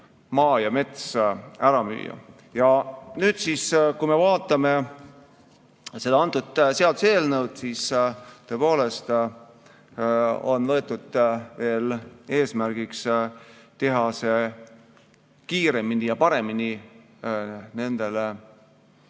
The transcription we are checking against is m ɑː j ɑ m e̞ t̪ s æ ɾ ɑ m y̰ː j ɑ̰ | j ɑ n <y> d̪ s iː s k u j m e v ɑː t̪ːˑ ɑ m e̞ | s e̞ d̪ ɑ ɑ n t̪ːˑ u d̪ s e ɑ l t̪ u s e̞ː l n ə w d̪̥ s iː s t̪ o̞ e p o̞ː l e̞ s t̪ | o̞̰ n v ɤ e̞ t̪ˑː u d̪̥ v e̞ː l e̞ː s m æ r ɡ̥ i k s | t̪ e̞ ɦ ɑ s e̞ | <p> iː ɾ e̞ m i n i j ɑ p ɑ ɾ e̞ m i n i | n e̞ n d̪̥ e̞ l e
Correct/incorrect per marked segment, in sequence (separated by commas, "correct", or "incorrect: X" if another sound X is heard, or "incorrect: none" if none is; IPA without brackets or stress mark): incorrect: yː, incorrect: k